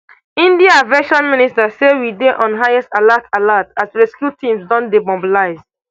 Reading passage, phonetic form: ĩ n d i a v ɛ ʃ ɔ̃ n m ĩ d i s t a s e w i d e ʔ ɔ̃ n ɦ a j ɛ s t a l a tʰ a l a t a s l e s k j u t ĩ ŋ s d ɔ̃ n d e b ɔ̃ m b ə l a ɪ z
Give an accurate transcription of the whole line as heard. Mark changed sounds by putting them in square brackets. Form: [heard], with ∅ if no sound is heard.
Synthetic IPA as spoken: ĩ n d i a v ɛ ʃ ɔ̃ n m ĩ [n] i s t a s e w i d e ʔ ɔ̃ n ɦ a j ɛ s t a l a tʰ a l a t a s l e s k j u t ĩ [m] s d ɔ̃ n d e b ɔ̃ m b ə l a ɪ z